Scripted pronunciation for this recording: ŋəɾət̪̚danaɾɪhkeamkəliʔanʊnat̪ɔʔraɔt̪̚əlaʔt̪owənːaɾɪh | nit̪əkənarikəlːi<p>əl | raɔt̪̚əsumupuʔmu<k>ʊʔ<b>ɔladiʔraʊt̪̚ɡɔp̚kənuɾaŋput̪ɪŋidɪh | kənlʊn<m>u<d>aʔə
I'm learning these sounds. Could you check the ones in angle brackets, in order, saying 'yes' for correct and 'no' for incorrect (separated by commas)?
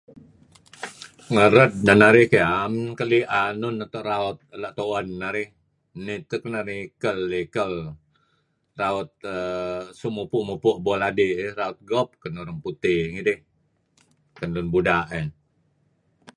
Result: no, no, yes, no, yes